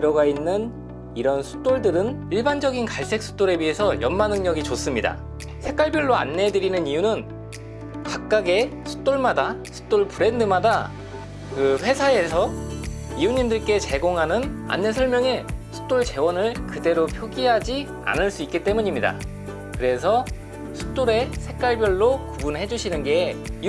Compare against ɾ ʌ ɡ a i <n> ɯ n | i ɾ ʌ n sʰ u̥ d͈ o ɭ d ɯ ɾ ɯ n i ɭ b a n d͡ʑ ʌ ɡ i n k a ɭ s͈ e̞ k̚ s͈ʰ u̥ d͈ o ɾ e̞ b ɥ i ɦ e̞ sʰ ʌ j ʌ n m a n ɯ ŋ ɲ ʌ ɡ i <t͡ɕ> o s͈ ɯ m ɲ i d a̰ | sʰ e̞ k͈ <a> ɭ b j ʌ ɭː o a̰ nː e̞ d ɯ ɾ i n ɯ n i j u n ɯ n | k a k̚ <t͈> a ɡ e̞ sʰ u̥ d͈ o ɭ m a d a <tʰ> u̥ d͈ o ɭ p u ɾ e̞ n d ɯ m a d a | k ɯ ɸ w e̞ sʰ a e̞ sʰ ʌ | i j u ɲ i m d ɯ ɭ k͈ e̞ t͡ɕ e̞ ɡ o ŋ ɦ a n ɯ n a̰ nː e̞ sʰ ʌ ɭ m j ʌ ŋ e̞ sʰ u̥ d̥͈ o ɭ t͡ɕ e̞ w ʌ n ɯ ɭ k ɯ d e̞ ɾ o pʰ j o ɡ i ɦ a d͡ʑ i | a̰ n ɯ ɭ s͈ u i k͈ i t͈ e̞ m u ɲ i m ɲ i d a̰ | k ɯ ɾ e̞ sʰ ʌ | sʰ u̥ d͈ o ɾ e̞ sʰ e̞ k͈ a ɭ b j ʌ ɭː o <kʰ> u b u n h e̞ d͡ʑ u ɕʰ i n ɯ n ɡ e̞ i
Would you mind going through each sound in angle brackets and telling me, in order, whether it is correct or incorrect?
incorrect: nː, correct, correct, incorrect: k͈, incorrect: sʰ, incorrect: k

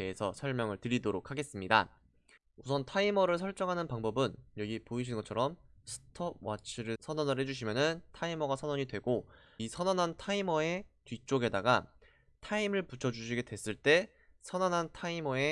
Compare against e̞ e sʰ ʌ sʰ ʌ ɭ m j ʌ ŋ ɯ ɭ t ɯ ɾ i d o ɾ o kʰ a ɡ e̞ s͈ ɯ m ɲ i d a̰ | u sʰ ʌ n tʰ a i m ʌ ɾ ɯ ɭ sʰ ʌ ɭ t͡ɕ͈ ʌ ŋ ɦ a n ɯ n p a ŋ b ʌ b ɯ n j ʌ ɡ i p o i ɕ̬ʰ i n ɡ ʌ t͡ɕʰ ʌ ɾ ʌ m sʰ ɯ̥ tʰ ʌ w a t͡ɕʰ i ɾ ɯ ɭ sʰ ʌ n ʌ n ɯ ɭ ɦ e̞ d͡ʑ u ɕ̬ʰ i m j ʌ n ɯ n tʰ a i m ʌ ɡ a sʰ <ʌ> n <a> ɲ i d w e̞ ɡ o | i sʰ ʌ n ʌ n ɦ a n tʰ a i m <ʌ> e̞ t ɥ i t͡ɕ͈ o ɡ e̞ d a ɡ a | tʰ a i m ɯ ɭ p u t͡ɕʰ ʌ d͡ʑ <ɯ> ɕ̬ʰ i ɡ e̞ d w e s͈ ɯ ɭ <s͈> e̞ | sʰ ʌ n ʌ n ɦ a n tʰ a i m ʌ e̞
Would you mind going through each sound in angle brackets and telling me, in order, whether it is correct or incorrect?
correct, incorrect: ʌ, correct, incorrect: u, incorrect: t͈

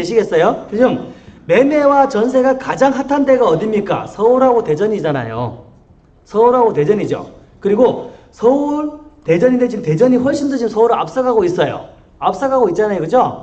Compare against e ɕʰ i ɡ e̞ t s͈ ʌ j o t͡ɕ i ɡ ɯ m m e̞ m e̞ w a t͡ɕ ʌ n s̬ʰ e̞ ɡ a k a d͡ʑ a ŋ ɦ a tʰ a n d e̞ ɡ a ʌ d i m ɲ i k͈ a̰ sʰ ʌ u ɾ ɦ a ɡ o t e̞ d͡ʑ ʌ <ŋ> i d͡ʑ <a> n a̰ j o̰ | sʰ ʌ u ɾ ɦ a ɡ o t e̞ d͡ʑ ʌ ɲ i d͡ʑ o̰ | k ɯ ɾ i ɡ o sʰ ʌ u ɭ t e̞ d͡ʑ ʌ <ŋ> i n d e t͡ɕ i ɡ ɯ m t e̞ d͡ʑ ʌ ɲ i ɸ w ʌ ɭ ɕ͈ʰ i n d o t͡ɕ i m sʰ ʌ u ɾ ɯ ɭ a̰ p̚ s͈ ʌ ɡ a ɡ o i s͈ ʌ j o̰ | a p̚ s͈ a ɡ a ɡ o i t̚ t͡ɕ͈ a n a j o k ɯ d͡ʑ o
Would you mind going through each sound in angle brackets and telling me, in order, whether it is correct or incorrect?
incorrect: ɲ, correct, incorrect: ɲ

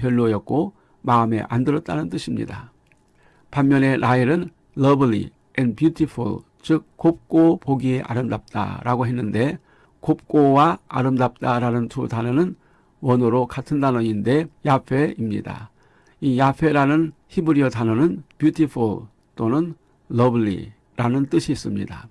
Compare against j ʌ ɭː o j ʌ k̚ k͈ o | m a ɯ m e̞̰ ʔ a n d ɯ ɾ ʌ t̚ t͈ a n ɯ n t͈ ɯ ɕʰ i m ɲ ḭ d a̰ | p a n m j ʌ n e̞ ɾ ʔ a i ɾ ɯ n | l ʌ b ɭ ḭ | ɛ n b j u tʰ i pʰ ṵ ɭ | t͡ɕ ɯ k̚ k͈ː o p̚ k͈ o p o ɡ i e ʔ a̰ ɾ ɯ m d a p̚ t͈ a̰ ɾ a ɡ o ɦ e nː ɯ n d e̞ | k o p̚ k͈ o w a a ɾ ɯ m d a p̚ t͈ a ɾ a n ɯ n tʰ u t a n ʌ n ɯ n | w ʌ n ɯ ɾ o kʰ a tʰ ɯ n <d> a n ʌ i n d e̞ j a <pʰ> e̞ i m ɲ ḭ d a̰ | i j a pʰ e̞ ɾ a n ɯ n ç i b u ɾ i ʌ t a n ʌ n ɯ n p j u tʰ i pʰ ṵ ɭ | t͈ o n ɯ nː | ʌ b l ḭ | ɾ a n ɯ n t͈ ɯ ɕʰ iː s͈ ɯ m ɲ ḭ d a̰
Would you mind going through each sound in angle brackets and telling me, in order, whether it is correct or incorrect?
correct, correct

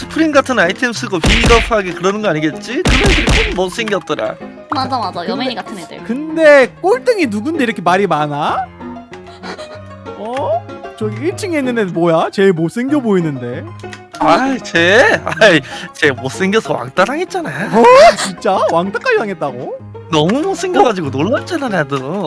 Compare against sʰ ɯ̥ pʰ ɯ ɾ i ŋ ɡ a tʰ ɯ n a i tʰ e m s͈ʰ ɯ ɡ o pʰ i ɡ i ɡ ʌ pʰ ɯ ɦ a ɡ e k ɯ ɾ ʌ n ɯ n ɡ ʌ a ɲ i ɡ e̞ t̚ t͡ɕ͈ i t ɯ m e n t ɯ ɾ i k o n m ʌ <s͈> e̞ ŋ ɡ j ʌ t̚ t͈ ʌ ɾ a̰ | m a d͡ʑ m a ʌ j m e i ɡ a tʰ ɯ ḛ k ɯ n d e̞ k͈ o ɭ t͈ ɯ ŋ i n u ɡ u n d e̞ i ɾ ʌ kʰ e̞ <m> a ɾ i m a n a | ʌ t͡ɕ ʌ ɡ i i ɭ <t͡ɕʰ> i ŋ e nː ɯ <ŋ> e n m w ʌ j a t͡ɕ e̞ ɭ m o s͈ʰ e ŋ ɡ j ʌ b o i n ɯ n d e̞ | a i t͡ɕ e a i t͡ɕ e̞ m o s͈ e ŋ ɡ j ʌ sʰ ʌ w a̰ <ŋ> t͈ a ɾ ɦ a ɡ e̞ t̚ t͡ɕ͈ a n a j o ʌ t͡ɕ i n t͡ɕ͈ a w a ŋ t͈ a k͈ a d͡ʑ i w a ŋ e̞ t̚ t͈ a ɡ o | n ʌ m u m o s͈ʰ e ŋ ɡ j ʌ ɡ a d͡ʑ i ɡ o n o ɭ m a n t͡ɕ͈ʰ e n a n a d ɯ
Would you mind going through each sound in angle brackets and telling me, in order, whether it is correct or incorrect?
correct, correct, correct, incorrect: n, correct

